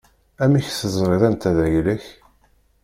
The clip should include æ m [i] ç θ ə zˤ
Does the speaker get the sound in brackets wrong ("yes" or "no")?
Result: no